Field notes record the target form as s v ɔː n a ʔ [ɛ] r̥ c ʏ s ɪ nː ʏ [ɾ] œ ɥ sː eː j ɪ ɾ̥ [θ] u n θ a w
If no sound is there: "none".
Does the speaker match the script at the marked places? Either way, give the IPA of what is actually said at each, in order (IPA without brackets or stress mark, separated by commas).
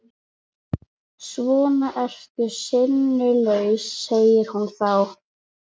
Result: ɛ, l, h